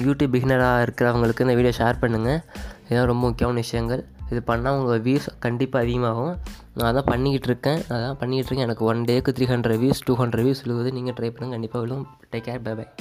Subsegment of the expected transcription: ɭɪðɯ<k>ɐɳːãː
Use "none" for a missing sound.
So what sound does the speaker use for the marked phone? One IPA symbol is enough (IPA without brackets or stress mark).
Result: p